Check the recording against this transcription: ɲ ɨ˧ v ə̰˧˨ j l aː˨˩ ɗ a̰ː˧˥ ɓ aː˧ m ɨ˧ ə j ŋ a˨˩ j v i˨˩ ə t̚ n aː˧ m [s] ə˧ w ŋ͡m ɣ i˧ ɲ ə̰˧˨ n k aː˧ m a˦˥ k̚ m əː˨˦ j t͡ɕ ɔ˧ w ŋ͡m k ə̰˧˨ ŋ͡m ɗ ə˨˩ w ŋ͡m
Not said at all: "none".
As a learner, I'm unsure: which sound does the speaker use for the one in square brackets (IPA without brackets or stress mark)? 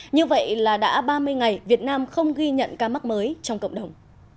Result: x